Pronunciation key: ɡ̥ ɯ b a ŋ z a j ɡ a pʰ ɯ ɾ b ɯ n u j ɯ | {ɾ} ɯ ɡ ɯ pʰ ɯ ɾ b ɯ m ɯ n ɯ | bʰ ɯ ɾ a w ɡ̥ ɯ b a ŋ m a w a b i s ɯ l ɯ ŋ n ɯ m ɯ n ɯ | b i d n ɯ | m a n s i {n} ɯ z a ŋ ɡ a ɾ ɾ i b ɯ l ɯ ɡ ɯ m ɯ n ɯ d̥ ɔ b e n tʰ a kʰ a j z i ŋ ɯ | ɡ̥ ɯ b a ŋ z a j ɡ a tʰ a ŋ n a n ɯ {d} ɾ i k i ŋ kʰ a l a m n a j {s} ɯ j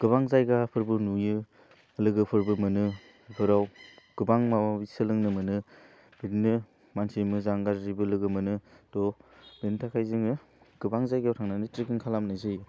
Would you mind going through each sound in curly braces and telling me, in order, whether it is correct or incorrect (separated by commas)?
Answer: incorrect, incorrect, incorrect, incorrect